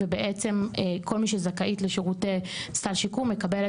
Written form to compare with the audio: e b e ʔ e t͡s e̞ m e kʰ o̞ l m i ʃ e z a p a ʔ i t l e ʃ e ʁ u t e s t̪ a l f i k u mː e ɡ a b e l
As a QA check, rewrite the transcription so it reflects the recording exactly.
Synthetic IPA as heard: e b e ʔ e t͡s e̞ m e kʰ o̞ l m i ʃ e z a k a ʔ i t l e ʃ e ʁ u t e s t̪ a l ʃ i k u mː e k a b e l